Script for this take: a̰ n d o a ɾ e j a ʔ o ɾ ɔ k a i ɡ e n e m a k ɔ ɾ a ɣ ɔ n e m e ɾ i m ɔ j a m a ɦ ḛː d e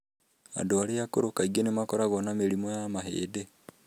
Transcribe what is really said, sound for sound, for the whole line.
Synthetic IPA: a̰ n d o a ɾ e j a k o ɾ o k a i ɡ e n e m a k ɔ ɾ a ɣ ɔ n a m e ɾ i m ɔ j a m a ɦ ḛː d e